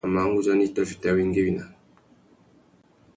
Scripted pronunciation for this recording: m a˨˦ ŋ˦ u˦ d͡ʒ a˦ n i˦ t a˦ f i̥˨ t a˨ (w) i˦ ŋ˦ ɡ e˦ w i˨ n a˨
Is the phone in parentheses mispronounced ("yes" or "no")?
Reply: no